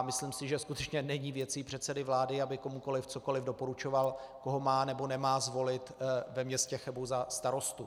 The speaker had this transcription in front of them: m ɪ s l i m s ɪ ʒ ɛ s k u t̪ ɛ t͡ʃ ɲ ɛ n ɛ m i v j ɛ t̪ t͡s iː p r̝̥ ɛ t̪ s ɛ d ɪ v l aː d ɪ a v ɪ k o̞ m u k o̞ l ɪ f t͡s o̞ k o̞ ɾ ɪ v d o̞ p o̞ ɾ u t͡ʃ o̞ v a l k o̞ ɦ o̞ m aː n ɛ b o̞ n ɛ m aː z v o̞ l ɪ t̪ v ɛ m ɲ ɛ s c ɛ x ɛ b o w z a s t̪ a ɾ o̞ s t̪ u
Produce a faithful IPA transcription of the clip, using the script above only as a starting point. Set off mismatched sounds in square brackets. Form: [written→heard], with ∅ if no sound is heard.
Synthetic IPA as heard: m ɪ s l i m s ɪ ʒ ɛ s k u t̪ ɛ t͡ʃ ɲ ɛ n ɛ [m→ɲ] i v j ɛ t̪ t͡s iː p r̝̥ ɛ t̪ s ɛ d ɪ v l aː d ɪ a [v→b] ɪ k o̞ m u k o̞ l ɪ f t͡s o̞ k o̞ [ɾ→l] ɪ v d o̞ p o̞ ɾ u t͡ʃ o̞ v a l k o̞ ɦ o̞ m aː n ɛ b o̞ n ɛ m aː z v o̞ l ɪ t̪ v ɛ m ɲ ɛ s c ɛ x ɛ b o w z a s t̪ a ɾ o̞ s t̪ u